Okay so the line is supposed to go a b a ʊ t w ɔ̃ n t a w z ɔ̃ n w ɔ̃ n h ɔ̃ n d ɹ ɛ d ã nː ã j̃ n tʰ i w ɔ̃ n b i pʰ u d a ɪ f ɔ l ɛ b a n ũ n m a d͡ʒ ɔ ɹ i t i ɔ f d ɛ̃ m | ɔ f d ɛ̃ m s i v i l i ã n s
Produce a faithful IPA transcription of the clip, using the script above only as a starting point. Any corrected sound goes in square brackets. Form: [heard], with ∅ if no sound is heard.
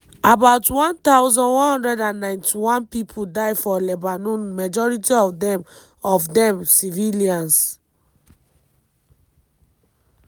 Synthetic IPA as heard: a b a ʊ t w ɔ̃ n t a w z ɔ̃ n w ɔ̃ n h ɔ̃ n d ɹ ɛ d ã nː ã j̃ n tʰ i w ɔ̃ n [p] i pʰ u d a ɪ f ɔ l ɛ b a n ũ n m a d͡ʒ ɔ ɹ i t i ɔ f d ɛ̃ m | ɔ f d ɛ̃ m s i v i l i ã n s